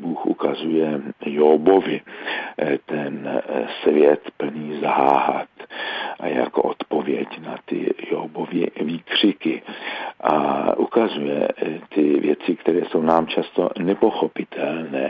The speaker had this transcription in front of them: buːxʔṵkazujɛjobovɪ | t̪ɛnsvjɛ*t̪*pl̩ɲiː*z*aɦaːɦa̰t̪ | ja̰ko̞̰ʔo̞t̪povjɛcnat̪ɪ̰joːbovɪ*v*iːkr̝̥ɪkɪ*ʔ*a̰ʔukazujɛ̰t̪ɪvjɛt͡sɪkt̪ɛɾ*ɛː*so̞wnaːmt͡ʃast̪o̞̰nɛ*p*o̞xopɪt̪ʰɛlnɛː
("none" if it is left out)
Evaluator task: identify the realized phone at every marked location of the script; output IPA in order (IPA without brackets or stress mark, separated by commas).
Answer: t̪, z, v, ʔ, ɛː, p